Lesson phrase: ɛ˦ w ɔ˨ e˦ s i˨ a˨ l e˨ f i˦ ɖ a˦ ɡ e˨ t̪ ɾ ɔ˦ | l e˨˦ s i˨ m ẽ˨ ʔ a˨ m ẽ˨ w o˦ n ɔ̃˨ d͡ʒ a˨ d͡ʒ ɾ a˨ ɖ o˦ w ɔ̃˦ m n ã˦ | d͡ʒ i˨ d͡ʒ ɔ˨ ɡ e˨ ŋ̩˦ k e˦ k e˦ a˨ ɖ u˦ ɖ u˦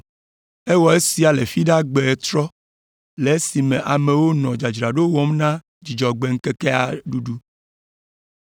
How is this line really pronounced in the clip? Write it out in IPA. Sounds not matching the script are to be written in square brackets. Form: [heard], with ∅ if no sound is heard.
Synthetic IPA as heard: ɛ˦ w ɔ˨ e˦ s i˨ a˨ l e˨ f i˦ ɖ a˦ [ɡ͡b] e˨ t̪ ɾ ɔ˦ | l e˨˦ s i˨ m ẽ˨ ʔ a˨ m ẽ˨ w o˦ n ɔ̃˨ d͡ʒ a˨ d͡ʒ ɾ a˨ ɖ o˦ w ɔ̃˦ m n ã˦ | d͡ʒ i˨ d͡ʒ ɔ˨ [ɡ͡b] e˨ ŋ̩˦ k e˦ k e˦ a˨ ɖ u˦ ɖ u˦